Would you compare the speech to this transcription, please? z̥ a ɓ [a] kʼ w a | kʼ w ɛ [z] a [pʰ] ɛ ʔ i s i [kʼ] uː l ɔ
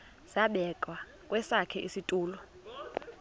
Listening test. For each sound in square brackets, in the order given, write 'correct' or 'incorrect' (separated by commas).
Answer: incorrect, incorrect, incorrect, incorrect